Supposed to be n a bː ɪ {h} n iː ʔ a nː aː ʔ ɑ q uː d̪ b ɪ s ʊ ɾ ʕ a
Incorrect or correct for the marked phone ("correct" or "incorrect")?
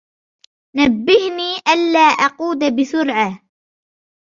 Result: correct